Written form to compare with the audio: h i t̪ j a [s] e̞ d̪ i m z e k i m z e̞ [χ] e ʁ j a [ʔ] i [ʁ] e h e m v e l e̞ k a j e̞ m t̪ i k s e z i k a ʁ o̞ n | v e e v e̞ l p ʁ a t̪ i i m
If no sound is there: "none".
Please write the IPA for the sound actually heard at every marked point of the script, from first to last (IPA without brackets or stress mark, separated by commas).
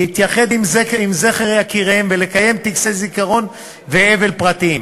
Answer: χ, χ, k, ʁ